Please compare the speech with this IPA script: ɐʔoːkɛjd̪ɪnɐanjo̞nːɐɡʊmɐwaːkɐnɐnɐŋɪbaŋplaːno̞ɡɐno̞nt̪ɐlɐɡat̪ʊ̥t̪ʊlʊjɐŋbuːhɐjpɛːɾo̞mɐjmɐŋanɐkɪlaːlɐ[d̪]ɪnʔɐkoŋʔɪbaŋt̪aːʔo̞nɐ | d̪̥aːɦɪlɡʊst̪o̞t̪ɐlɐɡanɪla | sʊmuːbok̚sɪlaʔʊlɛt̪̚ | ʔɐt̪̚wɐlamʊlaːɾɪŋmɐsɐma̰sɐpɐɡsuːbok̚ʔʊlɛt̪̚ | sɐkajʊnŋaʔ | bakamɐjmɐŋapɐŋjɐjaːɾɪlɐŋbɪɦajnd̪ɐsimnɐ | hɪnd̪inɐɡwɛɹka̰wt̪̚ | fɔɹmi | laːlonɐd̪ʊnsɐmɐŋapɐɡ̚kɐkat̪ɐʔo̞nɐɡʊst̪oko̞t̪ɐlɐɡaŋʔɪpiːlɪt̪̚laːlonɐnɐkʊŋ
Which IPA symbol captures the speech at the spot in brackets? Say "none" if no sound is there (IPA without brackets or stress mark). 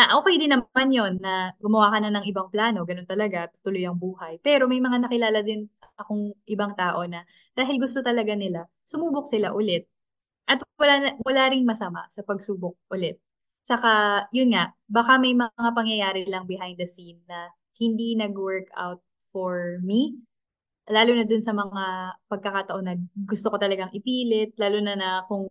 d̪